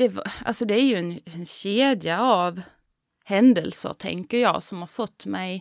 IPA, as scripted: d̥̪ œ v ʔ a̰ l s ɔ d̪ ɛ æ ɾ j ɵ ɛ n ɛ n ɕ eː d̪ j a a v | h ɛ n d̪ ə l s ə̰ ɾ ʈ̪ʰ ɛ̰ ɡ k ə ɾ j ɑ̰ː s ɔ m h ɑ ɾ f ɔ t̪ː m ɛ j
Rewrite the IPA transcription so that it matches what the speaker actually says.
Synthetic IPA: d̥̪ ɛ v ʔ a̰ l s ɔ d̪ ɛ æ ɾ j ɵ ɛ n ɛ n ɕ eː d̪ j a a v | h ɛ n d̪ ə l s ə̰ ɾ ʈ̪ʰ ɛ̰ ŋ k ə ɾ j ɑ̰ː s ɔ m h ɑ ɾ f ɔ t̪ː m ɛ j